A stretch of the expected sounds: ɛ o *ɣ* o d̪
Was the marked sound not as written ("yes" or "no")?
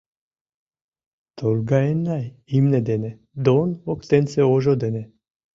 yes